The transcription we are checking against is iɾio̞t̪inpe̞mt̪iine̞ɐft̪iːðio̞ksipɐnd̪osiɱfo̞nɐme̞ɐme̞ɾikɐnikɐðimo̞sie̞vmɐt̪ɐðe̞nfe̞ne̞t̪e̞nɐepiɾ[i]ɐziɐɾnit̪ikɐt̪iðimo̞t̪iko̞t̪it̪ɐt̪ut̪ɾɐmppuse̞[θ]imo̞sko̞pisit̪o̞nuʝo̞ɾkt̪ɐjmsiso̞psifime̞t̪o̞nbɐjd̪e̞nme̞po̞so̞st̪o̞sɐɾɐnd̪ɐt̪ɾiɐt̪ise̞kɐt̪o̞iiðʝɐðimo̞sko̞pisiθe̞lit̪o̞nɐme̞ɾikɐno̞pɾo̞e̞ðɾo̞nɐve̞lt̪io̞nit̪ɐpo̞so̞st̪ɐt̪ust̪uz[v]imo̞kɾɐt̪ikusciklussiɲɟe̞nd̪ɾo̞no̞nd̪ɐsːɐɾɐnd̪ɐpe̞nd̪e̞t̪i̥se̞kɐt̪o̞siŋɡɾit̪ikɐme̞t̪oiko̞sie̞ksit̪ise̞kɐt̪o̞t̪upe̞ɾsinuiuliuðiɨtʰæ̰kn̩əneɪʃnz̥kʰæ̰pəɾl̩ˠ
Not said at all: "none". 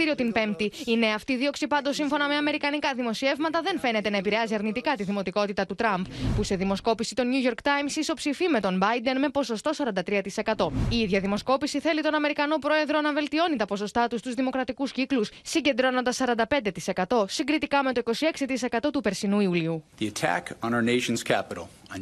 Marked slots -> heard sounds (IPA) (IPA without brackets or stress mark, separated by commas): e, ð, ð